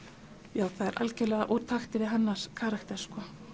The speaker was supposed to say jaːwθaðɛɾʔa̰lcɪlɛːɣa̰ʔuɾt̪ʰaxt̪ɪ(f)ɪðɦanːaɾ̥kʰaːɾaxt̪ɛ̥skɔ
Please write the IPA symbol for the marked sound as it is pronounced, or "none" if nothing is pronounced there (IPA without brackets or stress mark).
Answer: v